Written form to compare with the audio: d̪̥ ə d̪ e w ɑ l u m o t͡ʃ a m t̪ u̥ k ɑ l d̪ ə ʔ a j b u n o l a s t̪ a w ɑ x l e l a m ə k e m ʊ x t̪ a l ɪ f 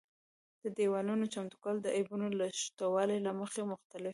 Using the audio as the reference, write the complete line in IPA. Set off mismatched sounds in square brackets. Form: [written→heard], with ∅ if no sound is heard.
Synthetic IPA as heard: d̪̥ ə d̪ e w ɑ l u [m→n] o t͡ʃ a m t̪ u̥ k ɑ l d̪ ə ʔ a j b u n o l a [s→ʃ] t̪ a w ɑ [x→∅] l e l a m ə [k→x] e m ʊ x t̪ a l ɪ f